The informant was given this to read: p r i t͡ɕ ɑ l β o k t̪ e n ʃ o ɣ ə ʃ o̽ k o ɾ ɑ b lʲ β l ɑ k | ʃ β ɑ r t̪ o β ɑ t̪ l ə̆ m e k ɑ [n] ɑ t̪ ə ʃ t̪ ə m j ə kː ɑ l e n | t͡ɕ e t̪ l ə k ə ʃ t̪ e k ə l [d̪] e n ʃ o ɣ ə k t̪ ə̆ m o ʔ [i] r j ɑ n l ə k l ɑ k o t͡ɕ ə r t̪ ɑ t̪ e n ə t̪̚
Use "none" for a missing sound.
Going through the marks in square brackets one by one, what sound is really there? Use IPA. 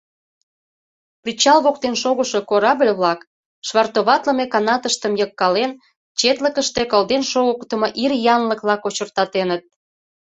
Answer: n, d̪, i

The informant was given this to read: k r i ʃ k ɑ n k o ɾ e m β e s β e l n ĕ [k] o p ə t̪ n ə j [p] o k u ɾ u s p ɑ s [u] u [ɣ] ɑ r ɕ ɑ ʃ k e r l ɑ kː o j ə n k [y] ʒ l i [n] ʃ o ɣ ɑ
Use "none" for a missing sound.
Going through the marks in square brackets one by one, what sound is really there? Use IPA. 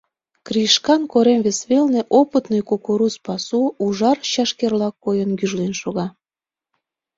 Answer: ʔ, k, u, ʒ, y, n

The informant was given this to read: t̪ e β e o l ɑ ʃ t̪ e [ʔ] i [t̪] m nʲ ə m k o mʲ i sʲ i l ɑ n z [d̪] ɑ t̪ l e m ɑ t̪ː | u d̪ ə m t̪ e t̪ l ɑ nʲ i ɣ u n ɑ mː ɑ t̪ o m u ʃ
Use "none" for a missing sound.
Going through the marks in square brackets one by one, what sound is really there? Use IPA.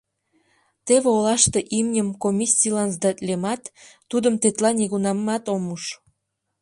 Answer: ʔ, none, d̪

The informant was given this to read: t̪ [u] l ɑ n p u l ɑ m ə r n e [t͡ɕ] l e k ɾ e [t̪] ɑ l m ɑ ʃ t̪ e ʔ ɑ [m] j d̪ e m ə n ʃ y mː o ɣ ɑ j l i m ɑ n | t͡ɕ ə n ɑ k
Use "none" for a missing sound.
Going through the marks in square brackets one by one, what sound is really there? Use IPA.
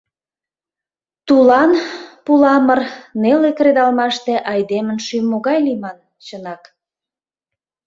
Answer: u, none, d̪, none

